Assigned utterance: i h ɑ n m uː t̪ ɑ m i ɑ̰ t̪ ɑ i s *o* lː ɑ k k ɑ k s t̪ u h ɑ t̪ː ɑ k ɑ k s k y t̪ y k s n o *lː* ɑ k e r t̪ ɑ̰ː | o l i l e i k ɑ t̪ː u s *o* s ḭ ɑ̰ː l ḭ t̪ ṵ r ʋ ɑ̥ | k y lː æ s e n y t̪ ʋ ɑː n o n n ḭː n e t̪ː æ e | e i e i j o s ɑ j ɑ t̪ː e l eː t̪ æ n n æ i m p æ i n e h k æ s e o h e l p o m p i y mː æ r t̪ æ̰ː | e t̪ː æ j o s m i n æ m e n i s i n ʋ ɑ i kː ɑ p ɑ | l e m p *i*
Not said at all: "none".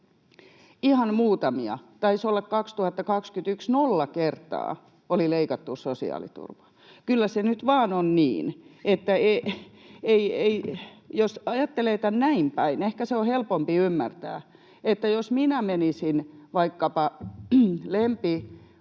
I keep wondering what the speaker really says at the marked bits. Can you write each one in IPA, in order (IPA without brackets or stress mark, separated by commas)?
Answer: o, lː, o, i